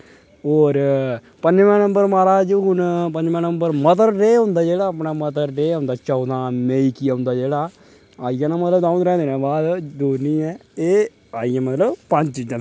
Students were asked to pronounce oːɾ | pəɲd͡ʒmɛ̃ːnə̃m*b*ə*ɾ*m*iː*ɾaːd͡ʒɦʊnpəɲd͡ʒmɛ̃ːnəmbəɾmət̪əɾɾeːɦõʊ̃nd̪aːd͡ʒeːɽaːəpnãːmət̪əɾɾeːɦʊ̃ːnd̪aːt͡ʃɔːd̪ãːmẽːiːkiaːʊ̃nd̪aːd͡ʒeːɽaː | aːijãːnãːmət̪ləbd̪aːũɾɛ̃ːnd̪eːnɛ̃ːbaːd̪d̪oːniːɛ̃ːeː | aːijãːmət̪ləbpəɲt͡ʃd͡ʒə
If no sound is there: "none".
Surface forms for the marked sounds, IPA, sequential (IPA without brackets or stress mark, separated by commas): b, ɾ, aː